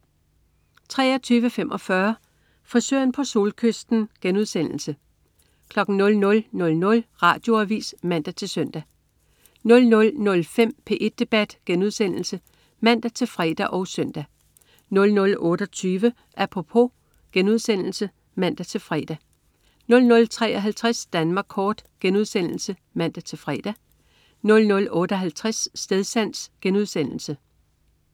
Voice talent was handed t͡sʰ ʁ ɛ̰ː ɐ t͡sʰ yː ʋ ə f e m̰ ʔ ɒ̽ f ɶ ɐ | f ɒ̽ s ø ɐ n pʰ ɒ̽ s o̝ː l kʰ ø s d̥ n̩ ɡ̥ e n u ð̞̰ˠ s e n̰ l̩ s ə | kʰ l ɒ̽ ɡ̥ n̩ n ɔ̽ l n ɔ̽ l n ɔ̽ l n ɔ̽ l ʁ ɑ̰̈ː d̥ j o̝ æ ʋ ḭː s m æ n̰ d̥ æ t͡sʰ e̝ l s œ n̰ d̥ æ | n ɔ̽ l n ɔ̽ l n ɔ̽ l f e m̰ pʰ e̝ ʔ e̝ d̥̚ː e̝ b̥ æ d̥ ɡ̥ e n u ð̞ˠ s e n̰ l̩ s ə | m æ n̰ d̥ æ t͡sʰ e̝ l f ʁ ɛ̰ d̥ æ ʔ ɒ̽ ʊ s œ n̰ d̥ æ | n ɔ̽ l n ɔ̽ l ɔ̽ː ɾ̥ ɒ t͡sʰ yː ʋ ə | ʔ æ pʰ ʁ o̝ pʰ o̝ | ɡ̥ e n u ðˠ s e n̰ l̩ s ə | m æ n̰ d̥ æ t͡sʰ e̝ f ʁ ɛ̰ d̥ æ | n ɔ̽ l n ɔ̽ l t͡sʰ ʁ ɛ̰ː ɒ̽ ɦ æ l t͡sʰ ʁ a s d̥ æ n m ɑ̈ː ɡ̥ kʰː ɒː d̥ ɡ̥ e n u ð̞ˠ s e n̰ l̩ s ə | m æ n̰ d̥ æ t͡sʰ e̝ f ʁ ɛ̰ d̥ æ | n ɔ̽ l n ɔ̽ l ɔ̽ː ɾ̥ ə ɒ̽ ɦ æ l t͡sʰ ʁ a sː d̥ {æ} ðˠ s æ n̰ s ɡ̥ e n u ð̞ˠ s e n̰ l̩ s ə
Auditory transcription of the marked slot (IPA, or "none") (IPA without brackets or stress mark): e